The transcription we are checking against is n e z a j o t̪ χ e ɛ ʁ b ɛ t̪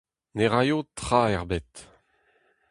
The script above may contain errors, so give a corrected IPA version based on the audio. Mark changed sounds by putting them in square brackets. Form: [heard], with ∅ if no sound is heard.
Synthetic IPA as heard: n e [ʁ] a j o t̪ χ [a] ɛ ʁ b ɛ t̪